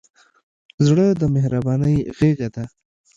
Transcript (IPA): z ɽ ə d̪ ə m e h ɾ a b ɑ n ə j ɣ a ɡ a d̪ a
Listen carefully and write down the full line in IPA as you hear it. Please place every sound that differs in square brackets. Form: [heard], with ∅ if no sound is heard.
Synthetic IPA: z ɽ ə d̪ ə m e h ɾ a b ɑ n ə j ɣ [e] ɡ a d̪ a